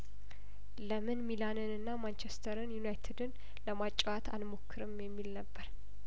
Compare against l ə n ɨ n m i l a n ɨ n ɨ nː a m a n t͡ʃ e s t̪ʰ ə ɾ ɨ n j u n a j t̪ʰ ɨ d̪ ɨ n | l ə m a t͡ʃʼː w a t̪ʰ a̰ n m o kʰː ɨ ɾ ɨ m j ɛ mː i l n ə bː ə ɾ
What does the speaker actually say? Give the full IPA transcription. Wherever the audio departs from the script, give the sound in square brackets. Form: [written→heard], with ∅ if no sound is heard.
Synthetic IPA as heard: l ə [n→m] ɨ n m i l a n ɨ n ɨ nː a m a n t͡ʃ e s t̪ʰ ə ɾ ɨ n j u n a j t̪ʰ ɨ d̪ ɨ n | l ə m a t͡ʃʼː w a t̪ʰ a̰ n m o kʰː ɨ ɾ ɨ m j ɛ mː i l n ə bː ə ɾ